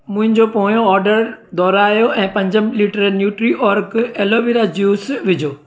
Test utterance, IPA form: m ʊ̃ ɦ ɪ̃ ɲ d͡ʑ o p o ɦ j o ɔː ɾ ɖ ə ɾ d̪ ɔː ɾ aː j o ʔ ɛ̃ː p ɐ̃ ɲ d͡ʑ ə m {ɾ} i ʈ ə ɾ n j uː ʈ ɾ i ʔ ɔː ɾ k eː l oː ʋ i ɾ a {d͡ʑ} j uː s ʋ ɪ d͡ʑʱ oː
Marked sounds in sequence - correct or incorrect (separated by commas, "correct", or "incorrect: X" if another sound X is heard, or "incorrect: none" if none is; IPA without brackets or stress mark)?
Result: incorrect: l, correct